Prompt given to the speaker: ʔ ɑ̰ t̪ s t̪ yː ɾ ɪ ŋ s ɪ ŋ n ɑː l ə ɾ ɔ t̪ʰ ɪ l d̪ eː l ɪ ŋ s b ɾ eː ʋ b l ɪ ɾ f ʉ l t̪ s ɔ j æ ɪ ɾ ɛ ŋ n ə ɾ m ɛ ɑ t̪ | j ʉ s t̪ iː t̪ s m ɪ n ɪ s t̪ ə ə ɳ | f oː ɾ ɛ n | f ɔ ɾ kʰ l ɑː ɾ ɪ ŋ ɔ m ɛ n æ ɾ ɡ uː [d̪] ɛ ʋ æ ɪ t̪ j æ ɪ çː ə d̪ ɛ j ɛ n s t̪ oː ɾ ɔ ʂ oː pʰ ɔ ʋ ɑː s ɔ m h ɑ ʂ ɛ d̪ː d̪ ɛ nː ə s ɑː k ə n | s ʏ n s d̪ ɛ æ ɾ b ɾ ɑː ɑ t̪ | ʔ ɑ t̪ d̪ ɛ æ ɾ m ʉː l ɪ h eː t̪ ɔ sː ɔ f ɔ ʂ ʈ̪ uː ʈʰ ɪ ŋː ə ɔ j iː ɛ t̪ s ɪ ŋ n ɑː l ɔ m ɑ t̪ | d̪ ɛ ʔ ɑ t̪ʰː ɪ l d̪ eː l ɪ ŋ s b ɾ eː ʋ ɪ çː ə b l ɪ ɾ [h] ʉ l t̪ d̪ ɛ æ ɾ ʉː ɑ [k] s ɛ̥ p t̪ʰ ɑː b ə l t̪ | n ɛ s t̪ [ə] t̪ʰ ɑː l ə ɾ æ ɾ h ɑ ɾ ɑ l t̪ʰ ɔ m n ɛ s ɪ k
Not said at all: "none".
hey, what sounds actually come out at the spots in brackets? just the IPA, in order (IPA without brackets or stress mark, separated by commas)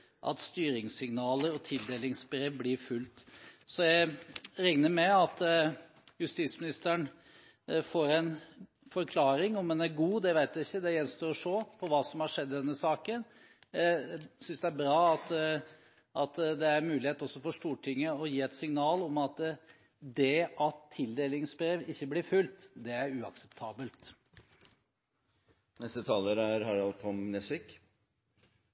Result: d̪, f, k, ə